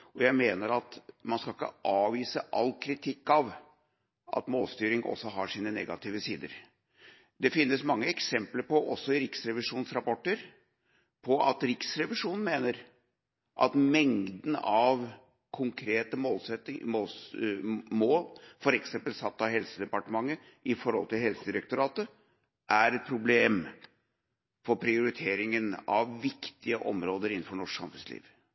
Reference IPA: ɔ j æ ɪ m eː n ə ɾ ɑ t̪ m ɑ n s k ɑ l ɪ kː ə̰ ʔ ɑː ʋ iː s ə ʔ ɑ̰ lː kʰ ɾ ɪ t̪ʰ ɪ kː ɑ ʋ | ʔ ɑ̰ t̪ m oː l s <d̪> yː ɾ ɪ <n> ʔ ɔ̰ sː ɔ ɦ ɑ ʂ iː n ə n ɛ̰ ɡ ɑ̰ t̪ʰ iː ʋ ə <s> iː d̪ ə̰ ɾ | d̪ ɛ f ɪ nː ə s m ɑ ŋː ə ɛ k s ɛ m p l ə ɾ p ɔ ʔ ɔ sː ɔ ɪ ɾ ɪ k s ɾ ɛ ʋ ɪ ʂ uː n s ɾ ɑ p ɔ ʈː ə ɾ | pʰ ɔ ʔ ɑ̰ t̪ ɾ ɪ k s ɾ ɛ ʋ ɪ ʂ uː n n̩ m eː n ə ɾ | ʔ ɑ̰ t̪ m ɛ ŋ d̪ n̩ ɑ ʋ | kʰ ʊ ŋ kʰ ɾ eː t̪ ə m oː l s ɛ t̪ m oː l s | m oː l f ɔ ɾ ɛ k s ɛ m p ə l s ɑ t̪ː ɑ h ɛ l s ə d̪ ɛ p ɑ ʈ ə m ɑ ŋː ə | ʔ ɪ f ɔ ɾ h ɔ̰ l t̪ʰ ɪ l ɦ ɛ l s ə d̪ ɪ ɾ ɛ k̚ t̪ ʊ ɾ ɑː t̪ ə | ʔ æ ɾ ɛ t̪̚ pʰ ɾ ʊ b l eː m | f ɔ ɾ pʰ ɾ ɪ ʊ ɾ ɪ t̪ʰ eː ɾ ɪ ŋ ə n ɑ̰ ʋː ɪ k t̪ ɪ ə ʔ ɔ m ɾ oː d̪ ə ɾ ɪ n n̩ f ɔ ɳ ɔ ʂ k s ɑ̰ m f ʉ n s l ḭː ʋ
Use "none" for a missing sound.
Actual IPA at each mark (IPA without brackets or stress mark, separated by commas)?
t̪, ŋ, s